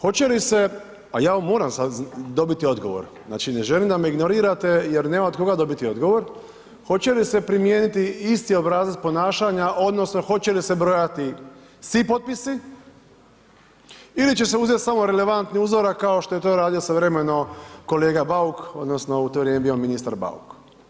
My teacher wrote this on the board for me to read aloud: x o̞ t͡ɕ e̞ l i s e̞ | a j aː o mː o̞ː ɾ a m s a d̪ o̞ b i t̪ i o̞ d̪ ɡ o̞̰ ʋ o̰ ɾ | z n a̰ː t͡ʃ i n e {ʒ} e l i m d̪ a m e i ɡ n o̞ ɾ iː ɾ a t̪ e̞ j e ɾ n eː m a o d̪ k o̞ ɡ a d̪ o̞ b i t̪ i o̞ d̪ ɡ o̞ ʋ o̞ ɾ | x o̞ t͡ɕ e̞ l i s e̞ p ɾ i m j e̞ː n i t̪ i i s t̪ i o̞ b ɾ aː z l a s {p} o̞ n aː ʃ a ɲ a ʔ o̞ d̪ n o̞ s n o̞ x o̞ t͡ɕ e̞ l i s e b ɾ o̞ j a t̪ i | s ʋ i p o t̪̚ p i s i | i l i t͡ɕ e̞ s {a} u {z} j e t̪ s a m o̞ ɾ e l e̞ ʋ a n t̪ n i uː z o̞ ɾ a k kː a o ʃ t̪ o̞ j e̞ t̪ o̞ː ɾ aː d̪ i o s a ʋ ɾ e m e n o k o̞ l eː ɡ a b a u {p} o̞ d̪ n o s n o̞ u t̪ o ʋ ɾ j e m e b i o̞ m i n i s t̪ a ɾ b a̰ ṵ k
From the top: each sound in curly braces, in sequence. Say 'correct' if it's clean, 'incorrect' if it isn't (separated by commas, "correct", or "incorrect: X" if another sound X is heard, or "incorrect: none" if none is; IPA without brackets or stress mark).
correct, correct, incorrect: e, correct, incorrect: k